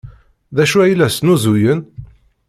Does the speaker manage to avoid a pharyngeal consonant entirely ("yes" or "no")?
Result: yes